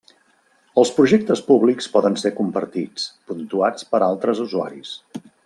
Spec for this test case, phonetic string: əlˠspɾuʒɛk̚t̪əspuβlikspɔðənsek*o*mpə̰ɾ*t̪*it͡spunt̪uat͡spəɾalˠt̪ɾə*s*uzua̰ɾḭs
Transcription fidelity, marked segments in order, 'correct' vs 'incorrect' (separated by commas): incorrect, correct, incorrect